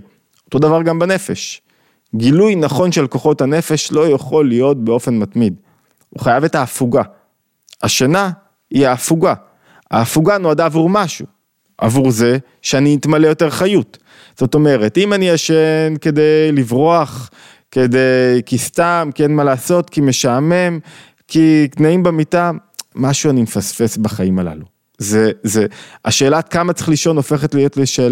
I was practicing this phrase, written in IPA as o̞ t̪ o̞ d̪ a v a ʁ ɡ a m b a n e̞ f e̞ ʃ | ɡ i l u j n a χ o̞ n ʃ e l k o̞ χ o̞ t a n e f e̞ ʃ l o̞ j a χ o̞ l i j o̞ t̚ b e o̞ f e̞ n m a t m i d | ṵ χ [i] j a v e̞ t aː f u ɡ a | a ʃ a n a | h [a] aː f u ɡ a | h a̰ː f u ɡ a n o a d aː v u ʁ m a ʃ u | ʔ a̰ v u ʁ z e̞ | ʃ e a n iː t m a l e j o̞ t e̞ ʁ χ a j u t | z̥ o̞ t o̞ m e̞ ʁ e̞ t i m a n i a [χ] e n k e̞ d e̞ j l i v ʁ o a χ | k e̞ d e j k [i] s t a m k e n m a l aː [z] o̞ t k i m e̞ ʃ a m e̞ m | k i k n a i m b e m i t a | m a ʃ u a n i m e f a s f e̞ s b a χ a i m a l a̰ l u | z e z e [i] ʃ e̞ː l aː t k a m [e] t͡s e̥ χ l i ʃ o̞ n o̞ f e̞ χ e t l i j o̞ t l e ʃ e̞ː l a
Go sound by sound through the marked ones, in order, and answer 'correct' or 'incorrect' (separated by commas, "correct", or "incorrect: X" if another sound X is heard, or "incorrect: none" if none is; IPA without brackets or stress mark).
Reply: incorrect: a, incorrect: i, incorrect: ʃ, correct, incorrect: s, incorrect: a, incorrect: a